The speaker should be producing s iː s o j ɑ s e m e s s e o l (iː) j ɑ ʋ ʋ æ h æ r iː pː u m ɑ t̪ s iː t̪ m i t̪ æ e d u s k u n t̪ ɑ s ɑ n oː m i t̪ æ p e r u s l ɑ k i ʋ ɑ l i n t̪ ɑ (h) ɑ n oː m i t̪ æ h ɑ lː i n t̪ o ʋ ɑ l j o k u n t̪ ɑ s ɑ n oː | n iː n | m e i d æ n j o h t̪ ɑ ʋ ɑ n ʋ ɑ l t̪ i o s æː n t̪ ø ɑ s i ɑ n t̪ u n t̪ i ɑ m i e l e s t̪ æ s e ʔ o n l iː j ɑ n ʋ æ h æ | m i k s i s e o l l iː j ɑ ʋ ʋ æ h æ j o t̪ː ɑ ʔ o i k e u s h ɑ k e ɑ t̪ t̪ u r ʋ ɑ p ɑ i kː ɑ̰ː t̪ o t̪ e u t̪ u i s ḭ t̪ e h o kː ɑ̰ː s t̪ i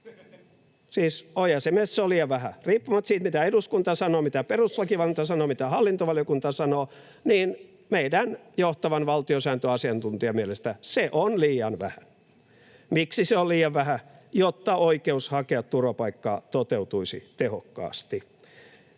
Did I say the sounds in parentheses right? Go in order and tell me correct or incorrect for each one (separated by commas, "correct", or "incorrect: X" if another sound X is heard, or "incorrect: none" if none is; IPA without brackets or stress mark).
correct, incorrect: s